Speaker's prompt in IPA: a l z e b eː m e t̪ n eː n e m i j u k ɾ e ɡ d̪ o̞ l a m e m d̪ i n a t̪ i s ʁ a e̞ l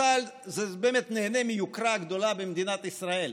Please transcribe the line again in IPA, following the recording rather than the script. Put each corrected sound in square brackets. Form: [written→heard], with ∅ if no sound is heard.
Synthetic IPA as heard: a l z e b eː m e t̪ n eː n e m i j u k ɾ [e→a] ɡ d̪ o̞ l a [m→b] e m d̪ i n a t̪ i s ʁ a e̞ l